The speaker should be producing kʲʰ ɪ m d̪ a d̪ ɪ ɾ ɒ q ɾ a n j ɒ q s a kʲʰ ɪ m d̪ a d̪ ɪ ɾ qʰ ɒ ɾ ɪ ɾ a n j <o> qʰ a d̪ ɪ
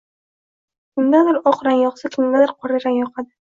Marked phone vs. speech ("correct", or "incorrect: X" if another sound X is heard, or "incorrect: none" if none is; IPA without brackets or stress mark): incorrect: ɒ